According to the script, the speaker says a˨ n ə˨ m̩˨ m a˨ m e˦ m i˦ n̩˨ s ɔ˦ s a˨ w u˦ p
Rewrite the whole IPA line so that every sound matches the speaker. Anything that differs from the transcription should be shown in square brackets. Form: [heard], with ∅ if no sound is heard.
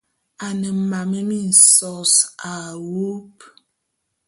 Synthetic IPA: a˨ n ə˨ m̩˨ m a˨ m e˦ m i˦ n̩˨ s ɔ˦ s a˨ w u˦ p